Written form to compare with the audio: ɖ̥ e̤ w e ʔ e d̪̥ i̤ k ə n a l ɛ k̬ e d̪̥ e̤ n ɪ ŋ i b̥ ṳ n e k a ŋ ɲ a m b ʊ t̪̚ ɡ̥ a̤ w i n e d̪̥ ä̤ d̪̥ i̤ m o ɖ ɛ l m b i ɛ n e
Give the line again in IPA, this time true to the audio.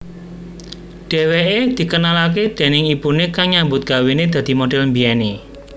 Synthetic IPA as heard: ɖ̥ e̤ w e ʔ e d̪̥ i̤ k ə n a l a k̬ e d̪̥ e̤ n ɪ ŋ i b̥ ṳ n e k a ŋ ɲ a m b ʊ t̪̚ ɡ̥ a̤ w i n e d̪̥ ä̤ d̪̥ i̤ m o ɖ ɛ l m b i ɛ n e

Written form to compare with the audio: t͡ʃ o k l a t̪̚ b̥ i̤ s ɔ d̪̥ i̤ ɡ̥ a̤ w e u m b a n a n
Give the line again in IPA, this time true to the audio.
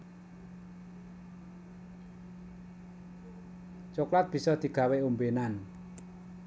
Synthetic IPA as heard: t͡ʃ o k l a t̪̚ b̥ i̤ s ɔ d̪̥ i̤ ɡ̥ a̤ w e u m b e n a n

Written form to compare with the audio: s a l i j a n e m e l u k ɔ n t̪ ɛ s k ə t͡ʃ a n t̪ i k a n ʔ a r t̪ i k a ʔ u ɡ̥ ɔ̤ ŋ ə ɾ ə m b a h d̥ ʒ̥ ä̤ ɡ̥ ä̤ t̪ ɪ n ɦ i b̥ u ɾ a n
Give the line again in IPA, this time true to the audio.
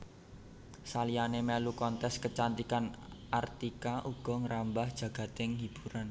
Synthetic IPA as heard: s a l i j a n e m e l u k ɔ n t̪ ɛ s k ə t͡ʃ a n t̪ i k a n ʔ a r t̪ i k a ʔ u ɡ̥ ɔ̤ ŋ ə ɾ a m b a h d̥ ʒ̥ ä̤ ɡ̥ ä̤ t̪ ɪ ŋ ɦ i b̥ u ɾ a n

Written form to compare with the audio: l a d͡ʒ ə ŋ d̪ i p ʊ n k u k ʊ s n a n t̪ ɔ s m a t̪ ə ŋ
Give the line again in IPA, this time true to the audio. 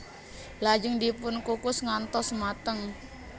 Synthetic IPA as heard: l a d͡ʒ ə ŋ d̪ i p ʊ n k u k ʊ s ŋ a n t̪ ɔ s m a t̪ ə ŋ

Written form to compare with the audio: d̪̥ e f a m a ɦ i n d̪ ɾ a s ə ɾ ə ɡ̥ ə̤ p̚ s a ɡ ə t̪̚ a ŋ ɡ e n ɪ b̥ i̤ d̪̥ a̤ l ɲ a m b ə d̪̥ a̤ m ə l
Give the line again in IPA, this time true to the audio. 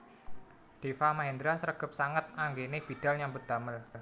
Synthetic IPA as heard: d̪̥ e f a m a ɦ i n d̪ ɾ a s ə ɾ ə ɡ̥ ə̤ p̚ s a ŋ ə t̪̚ a ŋ ɡ e n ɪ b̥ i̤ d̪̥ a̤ l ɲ a m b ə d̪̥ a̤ m ə l

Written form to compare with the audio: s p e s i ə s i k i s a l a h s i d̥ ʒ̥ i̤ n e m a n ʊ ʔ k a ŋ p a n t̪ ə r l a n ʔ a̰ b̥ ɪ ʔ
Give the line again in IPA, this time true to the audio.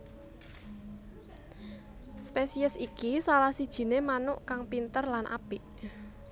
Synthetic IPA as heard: s p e s i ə s i k i s a l a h s i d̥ ʒ̥ i̤ n e m a n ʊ ʔ k a ŋ p i n t̪ ə r l a n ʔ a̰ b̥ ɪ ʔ

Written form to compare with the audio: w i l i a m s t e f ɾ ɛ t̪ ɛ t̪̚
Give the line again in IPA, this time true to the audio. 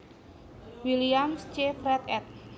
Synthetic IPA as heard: w i l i a m s t͡ʃ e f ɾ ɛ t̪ ɛ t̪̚

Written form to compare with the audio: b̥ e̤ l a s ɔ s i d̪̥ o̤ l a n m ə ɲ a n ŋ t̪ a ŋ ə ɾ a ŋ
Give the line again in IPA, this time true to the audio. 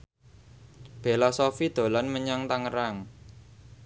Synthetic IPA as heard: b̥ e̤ l a s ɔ f i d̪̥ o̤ l a n m ə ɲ a ŋ t̪ a ŋ ə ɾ a ŋ

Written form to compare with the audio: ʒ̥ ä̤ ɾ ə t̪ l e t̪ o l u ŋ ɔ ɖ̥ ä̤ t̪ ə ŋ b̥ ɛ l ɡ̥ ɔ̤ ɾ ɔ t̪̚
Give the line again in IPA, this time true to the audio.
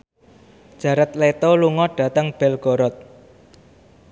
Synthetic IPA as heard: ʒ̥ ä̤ ɾ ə t̪ l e t̪ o l u ŋ ɔ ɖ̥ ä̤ t̪ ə ŋ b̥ ɛ l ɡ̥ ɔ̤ ɾ ɔ t̪̚

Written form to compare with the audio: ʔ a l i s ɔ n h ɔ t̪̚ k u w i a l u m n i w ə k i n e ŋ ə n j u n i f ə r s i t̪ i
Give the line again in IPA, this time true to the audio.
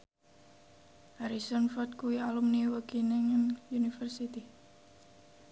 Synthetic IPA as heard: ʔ a ɾ i s ɔ n f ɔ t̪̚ k u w i a l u m n i w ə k i n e ŋ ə n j u n i f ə r s i t̪ i

